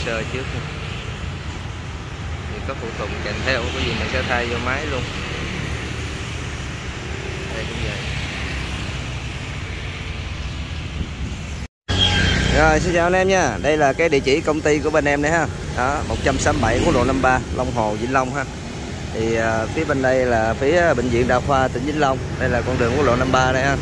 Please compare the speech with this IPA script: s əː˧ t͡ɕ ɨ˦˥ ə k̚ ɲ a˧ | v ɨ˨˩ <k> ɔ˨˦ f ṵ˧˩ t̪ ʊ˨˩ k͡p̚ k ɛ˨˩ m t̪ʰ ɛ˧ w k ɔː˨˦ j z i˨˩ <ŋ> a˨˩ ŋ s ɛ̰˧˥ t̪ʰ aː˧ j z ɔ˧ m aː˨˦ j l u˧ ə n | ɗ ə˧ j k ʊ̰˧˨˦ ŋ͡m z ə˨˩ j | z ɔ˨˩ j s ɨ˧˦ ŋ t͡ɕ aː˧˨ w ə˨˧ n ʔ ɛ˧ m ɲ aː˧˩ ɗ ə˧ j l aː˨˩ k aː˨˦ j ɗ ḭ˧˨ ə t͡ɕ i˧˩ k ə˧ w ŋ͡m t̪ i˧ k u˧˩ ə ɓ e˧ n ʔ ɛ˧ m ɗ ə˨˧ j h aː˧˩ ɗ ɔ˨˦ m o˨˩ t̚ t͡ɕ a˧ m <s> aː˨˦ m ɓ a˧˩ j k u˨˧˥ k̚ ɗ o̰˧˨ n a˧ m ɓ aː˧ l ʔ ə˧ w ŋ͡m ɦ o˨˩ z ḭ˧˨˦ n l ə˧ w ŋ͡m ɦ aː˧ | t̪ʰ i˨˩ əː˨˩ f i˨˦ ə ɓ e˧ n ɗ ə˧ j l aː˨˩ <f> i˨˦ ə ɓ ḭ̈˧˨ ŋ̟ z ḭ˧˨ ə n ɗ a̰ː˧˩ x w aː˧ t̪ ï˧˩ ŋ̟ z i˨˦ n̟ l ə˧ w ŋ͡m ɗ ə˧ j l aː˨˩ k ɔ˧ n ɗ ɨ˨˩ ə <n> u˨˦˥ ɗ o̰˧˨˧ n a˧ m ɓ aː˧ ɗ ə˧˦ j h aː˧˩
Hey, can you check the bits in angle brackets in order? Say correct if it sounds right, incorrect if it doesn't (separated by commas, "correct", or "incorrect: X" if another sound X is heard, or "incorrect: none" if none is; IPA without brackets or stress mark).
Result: correct, incorrect: m, correct, correct, incorrect: ŋ